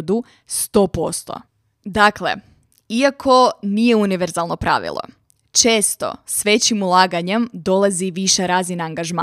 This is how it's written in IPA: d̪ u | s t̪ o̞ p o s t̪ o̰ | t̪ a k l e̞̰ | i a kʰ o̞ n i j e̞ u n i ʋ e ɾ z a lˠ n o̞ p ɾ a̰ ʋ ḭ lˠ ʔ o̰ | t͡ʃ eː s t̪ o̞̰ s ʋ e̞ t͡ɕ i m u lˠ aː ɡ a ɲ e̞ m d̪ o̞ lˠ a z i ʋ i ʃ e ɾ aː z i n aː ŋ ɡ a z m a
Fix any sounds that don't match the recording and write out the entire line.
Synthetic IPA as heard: d̪ u | s t̪ o̞ p o s t̪ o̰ | d̪ a k l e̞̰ | i a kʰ o̞ n i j e̞ u n i ʋ e ɾ z a lˠ n o̞ p ɾ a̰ ʋ ḭ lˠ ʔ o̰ | t͡ʃ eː s t̪ o̞̰ s ʋ e̞ t͡ɕ i m u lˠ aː ɡ a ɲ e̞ m d̪ o̞ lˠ a z i ʋ i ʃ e ɾ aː z i n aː ŋ ɡ a ʒ m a